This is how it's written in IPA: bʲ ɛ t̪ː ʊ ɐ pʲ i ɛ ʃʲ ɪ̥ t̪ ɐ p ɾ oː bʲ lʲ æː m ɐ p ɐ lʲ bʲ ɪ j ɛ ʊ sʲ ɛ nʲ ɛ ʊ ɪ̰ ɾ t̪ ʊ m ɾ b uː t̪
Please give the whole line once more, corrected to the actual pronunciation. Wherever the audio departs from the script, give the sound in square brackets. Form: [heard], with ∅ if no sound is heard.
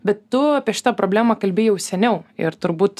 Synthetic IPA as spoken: bʲ ɛ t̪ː ʊ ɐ pʲ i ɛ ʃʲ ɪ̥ t̪ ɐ p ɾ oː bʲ lʲ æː m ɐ [k] ɐ lʲ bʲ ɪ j ɛ ʊ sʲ ɛ nʲ ɛ ʊ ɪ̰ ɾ t̪ ʊ [∅] ɾ b uː t̪